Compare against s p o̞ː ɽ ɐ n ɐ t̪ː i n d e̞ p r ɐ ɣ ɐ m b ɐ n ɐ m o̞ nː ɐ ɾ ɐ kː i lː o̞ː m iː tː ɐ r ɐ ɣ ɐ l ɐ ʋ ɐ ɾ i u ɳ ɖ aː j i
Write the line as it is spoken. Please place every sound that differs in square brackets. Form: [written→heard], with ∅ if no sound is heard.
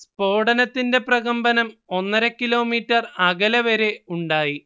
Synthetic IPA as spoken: s p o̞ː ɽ ɐ n ɐ t̪ː i n d e̞ p r ɐ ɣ ɐ m b ɐ n ɐ m o̞ nː ɐ ɾ ɐ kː i [lː→l] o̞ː m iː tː ɐ r ɐ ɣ ɐ l ɐ ʋ ɐ ɾ [i→e] u ɳ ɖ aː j i

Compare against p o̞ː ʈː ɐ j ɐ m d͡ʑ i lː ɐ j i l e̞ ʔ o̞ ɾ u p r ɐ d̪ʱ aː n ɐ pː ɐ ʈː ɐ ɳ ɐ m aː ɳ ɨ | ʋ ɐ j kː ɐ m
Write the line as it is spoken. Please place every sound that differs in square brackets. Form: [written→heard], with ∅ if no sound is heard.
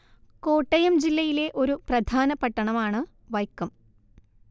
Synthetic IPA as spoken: [p→k] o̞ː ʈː ɐ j ɐ m d͡ʑ i lː ɐ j i l e̞ ʔ o̞ ɾ u p r ɐ d̪ʱ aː n ɐ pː ɐ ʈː ɐ ɳ ɐ m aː ɳ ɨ | ʋ ɐ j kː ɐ m

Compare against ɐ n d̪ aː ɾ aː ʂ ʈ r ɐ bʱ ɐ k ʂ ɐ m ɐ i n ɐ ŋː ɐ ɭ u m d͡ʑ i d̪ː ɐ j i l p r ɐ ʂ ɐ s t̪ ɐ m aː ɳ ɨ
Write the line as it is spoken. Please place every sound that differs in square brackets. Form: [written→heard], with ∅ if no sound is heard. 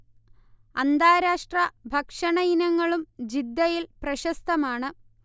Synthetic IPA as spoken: ɐ n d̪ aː ɾ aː ʂ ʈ r ɐ bʱ ɐ k ʂ ɐ [m→ɳ] ɐ i n ɐ ŋː ɐ ɭ u m d͡ʑ i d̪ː ɐ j i l p r ɐ [ʂ→ɕ] ɐ s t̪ ɐ m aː ɳ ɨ

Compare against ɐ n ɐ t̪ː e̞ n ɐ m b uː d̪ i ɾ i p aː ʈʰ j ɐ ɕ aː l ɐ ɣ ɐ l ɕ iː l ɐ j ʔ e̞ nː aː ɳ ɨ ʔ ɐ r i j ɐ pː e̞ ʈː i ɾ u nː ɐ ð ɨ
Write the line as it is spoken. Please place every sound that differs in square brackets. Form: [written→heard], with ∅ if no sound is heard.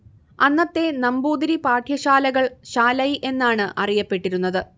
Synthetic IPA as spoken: ɐ [n→nː] ɐ t̪ː e̞ n ɐ m b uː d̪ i ɾ i p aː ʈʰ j ɐ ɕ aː l ɐ ɣ ɐ [l→ɭ] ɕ [iː→aː] l ɐ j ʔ e̞ nː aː ɳ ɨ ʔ ɐ r i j ɐ pː e̞ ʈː i ɾ u nː ɐ ð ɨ

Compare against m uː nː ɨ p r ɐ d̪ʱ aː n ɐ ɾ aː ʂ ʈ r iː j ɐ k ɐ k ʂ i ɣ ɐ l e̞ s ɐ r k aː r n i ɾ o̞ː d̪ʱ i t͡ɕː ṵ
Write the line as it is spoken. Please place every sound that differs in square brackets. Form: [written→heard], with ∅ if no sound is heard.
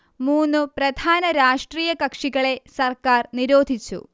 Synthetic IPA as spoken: m uː nː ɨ p r ɐ d̪ʱ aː n ɐ ɾ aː ʂ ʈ r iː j ɐ k ɐ k ʂ i ɣ ɐ [l→ɭ] e̞ s ɐ r k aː r n i ɾ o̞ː d̪ʱ i t͡ɕː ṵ

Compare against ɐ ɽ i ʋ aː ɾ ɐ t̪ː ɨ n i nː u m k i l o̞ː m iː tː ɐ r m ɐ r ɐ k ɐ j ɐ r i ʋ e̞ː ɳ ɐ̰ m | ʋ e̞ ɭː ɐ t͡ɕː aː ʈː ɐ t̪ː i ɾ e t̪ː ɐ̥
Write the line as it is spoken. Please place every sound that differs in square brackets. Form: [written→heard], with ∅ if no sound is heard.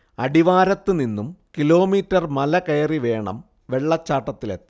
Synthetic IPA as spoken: ɐ ɽ i ʋ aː ɾ ɐ t̪ː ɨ n i nː u m k i l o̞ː m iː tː ɐ r m ɐ [r→l] ɐ k ɐ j ɐ r i ʋ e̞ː ɳ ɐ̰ m | ʋ e̞ ɭː ɐ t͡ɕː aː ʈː ɐ t̪ː i [ɾ→l] e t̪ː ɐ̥

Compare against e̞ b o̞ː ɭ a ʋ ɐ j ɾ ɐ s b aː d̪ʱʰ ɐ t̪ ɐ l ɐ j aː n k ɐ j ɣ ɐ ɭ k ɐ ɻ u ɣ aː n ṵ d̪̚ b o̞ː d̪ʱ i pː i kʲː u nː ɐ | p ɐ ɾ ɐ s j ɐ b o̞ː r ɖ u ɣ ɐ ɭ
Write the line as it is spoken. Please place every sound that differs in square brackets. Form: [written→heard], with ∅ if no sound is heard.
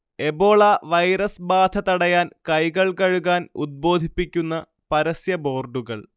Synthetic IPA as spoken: e̞ b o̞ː ɭ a ʋ ɐ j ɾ ɐ s b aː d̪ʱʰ ɐ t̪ ɐ [l→ɽ] ɐ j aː n k ɐ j ɣ ɐ ɭ k ɐ ɻ u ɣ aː n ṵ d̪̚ b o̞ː d̪ʱ i pː i kʲː u nː ɐ | p ɐ ɾ ɐ s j ɐ b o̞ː r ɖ u ɣ ɐ ɭ

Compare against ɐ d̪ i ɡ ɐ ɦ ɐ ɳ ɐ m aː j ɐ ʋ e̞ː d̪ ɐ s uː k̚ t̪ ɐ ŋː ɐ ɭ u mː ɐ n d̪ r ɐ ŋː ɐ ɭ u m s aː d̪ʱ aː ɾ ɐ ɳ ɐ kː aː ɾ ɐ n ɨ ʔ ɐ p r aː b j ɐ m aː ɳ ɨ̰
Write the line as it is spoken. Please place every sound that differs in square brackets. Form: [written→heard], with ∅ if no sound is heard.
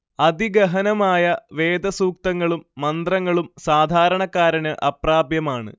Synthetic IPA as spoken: ɐ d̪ i ɡ ɐ ɦ ɐ [ɳ→n] ɐ m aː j ɐ ʋ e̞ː d̪ ɐ s uː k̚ t̪ ɐ ŋː ɐ ɭ u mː ɐ n d̪ r ɐ ŋː ɐ ɭ u m s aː d̪ʱ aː ɾ ɐ ɳ ɐ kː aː ɾ ɐ n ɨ ʔ ɐ p r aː b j ɐ m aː ɳ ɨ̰

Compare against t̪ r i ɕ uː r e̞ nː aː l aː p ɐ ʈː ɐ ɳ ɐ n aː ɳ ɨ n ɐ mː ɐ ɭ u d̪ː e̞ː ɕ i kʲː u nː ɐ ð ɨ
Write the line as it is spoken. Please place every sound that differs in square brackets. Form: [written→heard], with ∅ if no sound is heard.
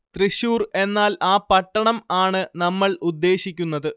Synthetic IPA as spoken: t̪ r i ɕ uː r e̞ nː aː l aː p ɐ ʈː ɐ ɳ ɐ [n→m] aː ɳ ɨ n ɐ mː ɐ ɭ u d̪ː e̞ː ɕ i kʲː u nː ɐ ð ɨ

